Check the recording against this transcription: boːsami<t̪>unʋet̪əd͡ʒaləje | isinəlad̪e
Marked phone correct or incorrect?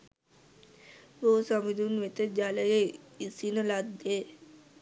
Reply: incorrect